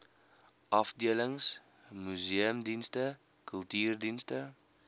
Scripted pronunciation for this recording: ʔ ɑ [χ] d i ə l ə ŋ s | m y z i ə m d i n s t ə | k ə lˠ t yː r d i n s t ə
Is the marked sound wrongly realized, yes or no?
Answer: yes